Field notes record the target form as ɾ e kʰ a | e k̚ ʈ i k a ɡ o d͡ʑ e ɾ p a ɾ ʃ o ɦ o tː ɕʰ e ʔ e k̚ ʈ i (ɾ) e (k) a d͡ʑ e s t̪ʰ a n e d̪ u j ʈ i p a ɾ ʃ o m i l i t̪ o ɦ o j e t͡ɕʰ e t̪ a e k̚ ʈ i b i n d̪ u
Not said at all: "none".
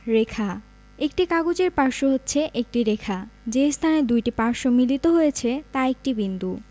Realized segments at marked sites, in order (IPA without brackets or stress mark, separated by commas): ɾ, kʰ